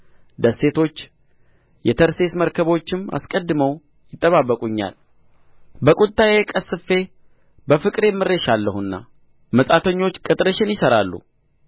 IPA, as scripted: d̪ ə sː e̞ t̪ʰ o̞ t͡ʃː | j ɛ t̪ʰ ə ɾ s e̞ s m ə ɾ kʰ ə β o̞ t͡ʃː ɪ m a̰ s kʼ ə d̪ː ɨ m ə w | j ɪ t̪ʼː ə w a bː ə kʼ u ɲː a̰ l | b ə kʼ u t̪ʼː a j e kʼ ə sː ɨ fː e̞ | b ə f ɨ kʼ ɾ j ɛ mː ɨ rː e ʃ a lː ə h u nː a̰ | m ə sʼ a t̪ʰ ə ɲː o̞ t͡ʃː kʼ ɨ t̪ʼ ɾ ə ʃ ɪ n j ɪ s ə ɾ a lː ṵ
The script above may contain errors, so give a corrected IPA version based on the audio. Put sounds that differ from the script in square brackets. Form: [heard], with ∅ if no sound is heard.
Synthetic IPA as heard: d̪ ə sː e̞ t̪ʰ o̞ t͡ʃː | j ɛ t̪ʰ ə ɾ s e̞ s m ə ɾ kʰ ə β o̞ t͡ʃː ɪ m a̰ s kʼ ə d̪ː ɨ m ə w | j ɪ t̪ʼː ə [β] a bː ə kʼ u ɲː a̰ l | b ə kʼ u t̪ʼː a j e kʼ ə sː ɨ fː e̞ | b ə f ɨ kʼ ɾ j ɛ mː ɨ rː e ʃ a lː ə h u nː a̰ | m ə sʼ a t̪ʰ ə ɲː o̞ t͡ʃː kʼ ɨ t̪ʼ ɾ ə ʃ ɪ n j ɪ s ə ɾ a lː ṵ